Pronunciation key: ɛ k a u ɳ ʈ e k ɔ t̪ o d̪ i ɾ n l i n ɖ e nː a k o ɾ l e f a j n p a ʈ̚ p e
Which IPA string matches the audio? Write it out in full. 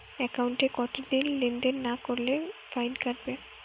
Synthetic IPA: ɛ k a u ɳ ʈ e k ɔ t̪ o d̪ i n l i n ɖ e nː a k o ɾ l e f a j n k a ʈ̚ b e